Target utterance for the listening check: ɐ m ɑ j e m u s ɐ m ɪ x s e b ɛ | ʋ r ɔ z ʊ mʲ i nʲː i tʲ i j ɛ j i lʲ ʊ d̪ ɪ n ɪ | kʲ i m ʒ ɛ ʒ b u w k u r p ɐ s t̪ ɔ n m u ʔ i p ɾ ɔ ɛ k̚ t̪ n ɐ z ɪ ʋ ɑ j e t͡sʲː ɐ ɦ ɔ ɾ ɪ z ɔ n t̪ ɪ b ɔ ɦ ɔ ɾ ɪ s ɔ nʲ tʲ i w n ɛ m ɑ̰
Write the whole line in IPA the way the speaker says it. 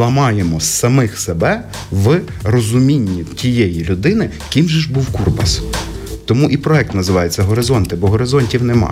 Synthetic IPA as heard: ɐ m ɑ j e m ɔ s ɐ m ɪ x s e b ɛ | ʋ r ɔ z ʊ mʲ i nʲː i tʲ i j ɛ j i lʲ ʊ d̪ ɪ n ɪ | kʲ i m ʒ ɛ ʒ b u w k u r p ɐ s t̪ ɔ m u ʔ i p ɾ ɔ ɛ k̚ t̪ n ɐ z ɪ ʋ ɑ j e t͡sʲː ɐ ɦ ɔ ɾ ɪ z ɔ n t̪ ɪ b ɔ ɦ ɔ ɾ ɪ z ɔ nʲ tʲ i w n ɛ m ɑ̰